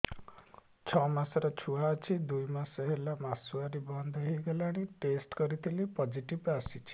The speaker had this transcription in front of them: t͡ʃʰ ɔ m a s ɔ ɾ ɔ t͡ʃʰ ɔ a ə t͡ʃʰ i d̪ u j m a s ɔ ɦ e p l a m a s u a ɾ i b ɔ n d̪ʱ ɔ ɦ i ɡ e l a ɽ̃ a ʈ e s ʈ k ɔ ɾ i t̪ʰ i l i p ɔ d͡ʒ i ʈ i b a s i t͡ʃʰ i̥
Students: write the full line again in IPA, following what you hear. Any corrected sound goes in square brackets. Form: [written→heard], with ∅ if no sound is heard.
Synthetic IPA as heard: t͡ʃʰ ɔ m a s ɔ ɾ ɔ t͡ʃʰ [ɔ→u] a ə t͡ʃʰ i d̪ u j m a s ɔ ɦ e [p→∅] l a m a s u a ɾ i b ɔ n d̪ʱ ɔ ɦ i ɡ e l a ɽ̃ [a→i] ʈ e s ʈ k ɔ ɾ i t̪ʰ i l i p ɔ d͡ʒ i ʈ i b a s i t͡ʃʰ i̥